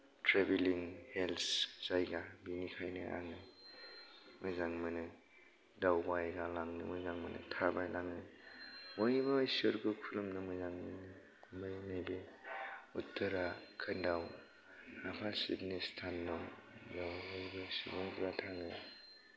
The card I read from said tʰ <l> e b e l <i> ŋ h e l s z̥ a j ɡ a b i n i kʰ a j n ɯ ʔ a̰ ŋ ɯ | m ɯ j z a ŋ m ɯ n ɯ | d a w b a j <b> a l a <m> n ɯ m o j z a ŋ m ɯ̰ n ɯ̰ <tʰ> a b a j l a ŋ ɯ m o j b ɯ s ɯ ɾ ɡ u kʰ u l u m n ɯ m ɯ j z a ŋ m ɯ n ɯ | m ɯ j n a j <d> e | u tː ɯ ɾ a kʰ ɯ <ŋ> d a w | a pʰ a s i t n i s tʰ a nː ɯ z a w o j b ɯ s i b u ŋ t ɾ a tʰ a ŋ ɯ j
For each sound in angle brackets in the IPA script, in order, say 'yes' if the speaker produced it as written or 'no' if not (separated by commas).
no, yes, no, no, yes, no, no